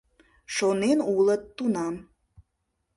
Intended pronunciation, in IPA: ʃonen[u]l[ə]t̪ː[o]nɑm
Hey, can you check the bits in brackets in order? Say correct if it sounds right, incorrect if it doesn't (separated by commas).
correct, correct, incorrect